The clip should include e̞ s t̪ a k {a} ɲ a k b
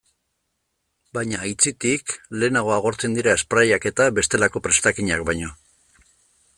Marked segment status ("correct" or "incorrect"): incorrect